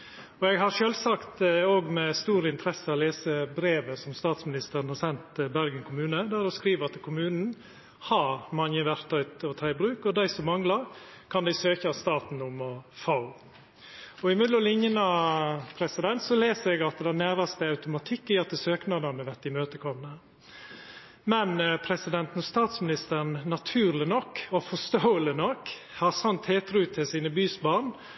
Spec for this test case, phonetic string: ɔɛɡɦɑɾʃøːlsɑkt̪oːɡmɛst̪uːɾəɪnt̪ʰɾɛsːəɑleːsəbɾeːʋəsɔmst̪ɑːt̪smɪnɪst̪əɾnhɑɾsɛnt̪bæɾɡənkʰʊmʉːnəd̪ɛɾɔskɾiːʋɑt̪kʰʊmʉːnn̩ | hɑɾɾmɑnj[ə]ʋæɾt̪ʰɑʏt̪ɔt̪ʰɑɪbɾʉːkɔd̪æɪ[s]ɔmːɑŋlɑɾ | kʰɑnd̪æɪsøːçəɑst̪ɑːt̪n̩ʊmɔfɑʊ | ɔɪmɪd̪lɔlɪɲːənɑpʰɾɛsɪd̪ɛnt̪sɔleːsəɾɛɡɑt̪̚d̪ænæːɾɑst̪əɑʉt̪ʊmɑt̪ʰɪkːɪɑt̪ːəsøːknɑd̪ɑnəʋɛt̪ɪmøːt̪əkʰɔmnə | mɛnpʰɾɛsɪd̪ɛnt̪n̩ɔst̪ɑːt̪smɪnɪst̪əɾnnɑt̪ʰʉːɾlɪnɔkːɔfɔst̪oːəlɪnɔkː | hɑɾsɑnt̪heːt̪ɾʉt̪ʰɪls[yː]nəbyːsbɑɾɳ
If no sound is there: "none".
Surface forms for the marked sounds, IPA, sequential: ə, s, iː

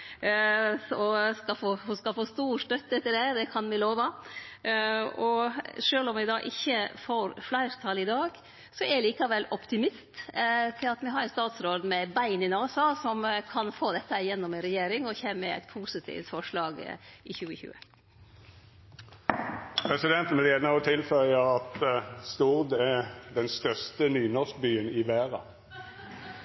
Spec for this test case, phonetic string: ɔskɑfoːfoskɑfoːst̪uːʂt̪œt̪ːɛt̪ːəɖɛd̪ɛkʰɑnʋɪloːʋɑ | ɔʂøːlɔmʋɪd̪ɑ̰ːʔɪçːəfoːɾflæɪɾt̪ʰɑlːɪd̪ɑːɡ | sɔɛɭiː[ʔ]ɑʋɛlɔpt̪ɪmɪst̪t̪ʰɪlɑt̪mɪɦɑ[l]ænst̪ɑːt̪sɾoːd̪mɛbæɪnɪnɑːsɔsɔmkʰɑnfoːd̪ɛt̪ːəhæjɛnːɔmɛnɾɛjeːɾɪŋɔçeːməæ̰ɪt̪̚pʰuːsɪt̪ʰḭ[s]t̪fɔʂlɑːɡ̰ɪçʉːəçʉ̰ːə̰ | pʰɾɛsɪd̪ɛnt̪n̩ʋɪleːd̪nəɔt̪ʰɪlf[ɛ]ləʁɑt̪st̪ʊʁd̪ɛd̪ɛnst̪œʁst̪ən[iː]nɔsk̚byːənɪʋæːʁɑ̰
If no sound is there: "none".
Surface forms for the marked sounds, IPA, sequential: k, ɾ, f, œ, yː

